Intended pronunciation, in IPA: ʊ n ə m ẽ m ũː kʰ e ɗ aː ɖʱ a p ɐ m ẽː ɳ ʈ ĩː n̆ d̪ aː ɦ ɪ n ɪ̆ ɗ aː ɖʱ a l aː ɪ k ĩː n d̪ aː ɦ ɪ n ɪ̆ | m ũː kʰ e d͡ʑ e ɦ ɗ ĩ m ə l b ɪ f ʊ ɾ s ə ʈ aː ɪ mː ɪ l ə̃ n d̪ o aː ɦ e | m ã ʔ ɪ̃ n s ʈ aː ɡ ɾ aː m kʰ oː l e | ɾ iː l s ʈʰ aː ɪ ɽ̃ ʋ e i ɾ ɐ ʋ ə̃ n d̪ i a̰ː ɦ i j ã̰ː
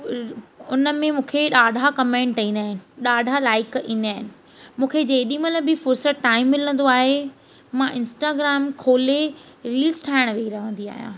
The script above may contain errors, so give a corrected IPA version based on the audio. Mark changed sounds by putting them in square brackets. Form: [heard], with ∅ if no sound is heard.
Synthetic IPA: ʊ n ə m ẽ m ũː kʰ e ɗ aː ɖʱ a [k] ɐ m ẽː ɳ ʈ ĩː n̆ d̪ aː ɦ ɪ n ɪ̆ ɗ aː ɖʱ a l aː ɪ k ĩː n d̪ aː ɦ ɪ n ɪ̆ | m ũː kʰ e d͡ʑ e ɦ ɗ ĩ m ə l b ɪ f ʊ ɾ s ə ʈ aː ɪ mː ɪ l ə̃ n d̪ o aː ɦ e | m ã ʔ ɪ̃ n s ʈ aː ɡ ɾ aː m kʰ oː l e | ɾ iː l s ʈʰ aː ɪ ɽ̃ ʋ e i ɾ ɐ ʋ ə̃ n d̪ i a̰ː ɦ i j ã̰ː